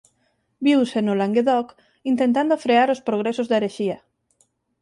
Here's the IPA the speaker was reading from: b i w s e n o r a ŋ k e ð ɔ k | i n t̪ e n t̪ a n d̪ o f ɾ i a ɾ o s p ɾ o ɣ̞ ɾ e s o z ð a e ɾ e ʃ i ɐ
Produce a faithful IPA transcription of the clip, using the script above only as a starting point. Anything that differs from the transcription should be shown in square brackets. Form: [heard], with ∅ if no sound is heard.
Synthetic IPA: b i w s e n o [l] a ŋ [ɡ] e ð ɔ k | i n t̪ e n t̪ a n d̪ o f ɾ [e] a ɾ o s p ɾ o ɣ̞ ɾ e s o z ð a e ɾ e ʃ i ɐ